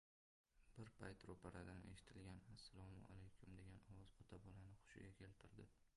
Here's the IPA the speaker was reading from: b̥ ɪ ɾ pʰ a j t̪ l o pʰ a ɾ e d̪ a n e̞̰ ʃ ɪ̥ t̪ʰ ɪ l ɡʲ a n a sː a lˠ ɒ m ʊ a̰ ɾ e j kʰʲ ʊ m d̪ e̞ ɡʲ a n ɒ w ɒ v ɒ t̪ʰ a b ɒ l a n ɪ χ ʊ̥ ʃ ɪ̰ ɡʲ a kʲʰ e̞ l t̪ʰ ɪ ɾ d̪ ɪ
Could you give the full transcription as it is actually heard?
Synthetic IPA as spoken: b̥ ɪ ɾ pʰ a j t̪ ɾ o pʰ a ɾ a d̪ a n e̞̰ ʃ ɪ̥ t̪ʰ ɪ l ɡʲ a n a sː a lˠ ɒ m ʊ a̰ l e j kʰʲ ʊ m d̪ e̞ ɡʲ a n ɒ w ɒ z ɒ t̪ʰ a b ɒ l a n ɪ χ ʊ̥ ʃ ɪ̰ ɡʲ a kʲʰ e̞ l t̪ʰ ɪ ɾ d̪ ɪ